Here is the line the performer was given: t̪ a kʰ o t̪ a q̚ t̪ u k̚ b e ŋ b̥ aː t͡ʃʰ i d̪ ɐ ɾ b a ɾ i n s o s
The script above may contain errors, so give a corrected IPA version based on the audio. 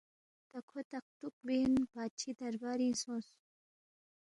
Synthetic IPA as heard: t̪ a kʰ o t̪ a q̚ t̪ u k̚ b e n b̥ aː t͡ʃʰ i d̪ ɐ ɾ b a ɾ i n s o s